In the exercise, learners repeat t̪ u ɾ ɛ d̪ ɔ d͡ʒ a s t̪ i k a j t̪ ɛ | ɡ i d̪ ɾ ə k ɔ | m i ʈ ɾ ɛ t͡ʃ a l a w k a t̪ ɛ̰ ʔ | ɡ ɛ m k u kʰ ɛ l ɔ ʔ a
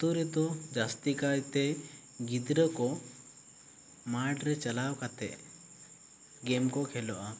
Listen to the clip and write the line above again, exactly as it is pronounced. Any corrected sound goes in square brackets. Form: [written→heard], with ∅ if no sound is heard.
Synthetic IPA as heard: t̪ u ɾ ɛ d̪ ɔ d͡ʒ a s t̪ i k a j t̪ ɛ | ɡ i d̪ ɾ ə k ɔ | m [i→a] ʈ ɾ ɛ t͡ʃ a l a w k a t̪ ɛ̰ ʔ | ɡ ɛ m k [u→ɔ] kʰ ɛ l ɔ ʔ a